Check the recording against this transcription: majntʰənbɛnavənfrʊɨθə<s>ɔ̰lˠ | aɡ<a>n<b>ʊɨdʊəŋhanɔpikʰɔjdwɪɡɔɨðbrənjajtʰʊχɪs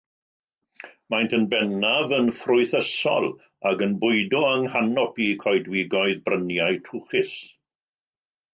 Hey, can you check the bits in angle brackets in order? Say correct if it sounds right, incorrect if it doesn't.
correct, incorrect: ə, correct

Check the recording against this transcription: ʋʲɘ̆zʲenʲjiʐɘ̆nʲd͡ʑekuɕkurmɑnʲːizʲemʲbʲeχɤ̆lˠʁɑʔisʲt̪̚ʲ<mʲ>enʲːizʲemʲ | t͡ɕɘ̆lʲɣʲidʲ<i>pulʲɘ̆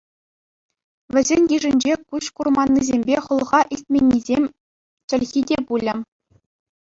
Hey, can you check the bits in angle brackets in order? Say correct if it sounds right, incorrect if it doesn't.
correct, incorrect: e

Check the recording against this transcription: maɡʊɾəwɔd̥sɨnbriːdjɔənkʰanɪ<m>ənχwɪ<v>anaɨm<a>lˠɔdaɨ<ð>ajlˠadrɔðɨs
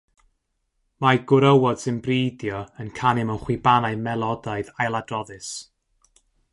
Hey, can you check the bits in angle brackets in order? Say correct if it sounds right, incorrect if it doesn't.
correct, incorrect: b, incorrect: ɛ, correct

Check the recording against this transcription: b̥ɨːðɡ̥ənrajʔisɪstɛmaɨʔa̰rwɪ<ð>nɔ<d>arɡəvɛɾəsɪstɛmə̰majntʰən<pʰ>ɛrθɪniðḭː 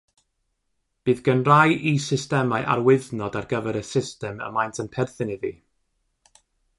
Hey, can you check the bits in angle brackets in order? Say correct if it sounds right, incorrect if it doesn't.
correct, correct, correct

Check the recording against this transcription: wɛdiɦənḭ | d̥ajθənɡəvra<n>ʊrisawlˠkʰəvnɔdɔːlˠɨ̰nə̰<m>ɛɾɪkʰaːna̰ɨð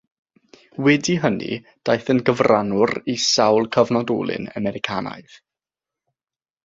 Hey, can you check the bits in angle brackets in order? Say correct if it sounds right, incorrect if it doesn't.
correct, correct

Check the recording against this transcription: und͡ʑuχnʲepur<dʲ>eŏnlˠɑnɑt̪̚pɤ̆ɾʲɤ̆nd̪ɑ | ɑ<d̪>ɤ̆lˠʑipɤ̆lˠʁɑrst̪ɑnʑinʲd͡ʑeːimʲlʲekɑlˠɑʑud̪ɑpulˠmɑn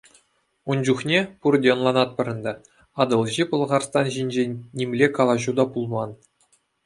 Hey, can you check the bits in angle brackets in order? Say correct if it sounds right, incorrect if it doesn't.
correct, correct

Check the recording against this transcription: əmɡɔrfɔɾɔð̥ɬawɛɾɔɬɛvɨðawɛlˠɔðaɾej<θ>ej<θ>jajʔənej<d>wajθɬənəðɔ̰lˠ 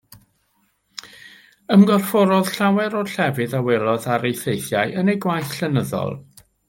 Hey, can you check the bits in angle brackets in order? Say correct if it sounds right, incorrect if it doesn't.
correct, correct, incorrect: ɡ

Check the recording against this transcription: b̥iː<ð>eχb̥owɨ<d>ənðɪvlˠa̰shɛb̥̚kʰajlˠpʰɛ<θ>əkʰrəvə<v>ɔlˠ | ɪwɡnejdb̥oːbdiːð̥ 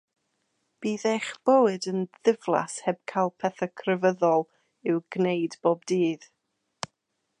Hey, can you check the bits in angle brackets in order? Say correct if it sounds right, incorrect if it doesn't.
correct, correct, correct, incorrect: ð

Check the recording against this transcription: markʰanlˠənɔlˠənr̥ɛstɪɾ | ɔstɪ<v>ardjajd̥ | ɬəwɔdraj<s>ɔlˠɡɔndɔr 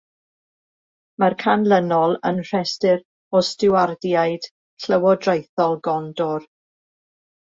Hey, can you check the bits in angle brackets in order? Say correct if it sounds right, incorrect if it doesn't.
incorrect: w, incorrect: θ

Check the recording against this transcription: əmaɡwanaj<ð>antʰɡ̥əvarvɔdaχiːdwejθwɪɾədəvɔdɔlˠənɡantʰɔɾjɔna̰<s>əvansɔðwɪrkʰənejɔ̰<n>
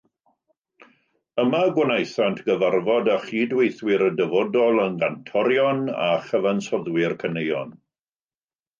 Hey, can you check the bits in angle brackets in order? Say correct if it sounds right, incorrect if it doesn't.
incorrect: θ, incorrect: χ, correct

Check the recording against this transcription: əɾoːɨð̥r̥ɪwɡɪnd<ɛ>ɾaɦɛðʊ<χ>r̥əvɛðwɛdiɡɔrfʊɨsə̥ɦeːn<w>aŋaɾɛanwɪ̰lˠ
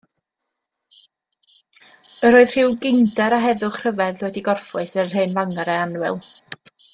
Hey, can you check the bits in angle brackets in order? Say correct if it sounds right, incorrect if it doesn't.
correct, correct, incorrect: v

